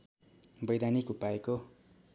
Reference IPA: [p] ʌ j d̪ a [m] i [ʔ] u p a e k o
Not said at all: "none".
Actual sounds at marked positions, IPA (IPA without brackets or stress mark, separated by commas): b, n, k